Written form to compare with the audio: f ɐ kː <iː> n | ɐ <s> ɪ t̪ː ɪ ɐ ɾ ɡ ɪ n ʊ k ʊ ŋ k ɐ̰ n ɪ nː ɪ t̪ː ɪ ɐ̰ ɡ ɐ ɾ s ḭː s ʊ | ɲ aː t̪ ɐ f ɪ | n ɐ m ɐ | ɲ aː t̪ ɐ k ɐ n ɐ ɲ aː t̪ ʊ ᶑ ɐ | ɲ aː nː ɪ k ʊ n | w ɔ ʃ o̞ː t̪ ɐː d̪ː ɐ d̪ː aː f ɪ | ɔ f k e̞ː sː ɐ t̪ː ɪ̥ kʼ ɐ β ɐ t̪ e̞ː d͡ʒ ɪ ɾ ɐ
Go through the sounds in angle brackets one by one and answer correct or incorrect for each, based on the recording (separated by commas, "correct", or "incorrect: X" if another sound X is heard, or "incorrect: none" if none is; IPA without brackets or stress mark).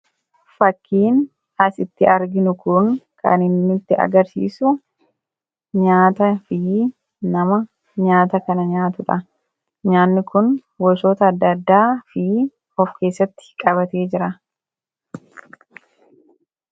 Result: correct, correct